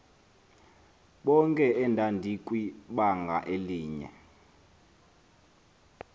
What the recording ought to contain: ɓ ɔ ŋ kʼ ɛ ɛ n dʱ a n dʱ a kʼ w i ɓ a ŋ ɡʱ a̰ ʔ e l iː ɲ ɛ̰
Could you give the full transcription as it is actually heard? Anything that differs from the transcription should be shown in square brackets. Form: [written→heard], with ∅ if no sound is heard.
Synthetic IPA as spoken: ɓ ɔ ŋ kʼ ɛ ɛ n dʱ a n dʱ [a→i] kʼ w i ɓ a ŋ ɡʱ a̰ ʔ e l iː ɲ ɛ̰